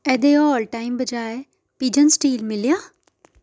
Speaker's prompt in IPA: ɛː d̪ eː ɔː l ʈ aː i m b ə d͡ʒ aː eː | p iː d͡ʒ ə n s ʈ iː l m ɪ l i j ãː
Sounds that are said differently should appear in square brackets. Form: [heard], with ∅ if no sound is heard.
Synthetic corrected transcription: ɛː d̪ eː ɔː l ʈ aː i m b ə d͡ʒ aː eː | p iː d͡ʒ ə n s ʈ iː l m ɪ l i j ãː